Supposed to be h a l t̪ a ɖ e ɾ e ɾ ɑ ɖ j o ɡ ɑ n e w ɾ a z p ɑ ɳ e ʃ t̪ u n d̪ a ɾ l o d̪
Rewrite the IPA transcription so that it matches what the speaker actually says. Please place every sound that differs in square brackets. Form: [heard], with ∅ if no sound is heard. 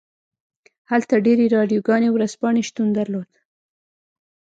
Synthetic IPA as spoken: h a l t̪ a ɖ e ɾ e ɾ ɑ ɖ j o ɡ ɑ n e w ɾ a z p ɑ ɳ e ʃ t̪ u n d̪ a ɾ l o d̪